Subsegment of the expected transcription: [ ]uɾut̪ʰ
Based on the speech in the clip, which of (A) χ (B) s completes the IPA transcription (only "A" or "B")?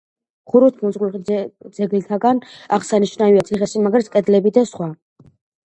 A